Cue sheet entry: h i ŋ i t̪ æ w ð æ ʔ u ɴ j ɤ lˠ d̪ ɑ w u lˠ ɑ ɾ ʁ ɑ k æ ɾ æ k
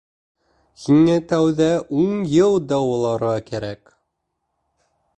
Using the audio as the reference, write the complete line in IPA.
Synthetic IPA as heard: h i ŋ æ t̪ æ w ð æ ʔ u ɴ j ɤ lˠ d̪ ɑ w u lˠ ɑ ɾ ʁ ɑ k æ ɾ æ k